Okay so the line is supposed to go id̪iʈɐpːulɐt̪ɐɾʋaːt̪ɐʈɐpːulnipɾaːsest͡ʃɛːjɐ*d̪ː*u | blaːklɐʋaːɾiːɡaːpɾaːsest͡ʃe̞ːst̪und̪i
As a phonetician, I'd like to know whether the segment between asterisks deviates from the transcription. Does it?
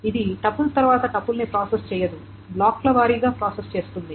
yes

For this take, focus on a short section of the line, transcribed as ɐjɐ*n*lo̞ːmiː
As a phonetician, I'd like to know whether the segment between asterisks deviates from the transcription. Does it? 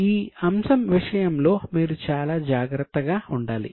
yes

